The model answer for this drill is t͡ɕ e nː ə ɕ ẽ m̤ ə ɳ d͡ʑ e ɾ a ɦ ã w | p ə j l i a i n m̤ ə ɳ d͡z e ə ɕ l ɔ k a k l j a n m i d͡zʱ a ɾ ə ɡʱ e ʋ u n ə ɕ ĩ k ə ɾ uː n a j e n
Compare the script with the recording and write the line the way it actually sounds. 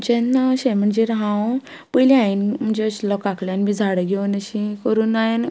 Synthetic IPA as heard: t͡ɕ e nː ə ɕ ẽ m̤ ə ɳ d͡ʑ e ɾ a ɦ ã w | p ə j l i a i n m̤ ə ɳ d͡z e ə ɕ l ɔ k a k l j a n m i d͡zʱ a ɽ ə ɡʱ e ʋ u n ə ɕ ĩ k ə ɾ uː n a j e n